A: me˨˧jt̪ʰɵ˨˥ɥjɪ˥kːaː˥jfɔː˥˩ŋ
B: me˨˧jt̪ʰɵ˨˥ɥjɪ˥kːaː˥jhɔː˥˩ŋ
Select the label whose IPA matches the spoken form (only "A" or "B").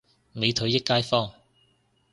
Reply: A